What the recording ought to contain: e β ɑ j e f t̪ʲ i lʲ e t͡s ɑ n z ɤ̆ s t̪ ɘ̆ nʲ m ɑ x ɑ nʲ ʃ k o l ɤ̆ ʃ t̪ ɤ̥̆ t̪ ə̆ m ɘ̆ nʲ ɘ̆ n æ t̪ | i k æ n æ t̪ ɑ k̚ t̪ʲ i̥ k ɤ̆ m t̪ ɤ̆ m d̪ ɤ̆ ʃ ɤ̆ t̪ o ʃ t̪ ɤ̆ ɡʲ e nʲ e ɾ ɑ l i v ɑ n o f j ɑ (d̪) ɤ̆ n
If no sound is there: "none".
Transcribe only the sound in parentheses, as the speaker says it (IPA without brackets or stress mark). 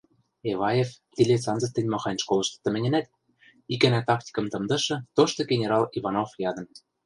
d̪